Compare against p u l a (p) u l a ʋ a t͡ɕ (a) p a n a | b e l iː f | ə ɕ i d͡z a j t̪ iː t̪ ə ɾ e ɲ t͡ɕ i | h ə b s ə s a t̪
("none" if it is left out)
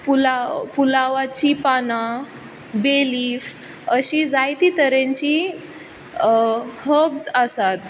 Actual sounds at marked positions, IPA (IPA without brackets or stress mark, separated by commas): p, i